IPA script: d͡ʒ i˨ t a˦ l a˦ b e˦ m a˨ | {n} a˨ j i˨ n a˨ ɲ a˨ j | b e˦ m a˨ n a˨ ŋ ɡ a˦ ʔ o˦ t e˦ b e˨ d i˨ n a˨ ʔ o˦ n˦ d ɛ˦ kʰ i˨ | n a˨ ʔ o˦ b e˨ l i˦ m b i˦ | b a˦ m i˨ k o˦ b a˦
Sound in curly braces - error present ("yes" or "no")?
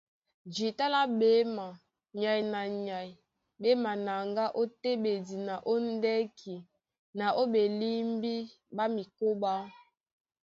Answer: yes